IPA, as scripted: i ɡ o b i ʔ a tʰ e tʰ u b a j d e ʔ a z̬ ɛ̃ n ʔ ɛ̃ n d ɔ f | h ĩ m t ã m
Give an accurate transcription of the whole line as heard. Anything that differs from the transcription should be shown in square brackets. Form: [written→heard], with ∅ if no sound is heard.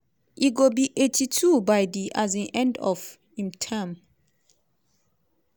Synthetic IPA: i ɡ o b i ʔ [a→e] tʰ [e→i] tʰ u b a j d [e→i] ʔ a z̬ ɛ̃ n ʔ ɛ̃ n d ɔ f | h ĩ m [t→tʰ] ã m